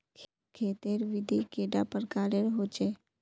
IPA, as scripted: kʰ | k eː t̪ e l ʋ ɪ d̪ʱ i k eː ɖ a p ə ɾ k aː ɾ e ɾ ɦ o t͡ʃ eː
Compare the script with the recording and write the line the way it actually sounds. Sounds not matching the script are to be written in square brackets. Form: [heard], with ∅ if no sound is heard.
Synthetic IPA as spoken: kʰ | [kʰ] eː t̪ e [ɾ] ʋ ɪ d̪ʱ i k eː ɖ a p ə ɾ k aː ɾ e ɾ ɦ o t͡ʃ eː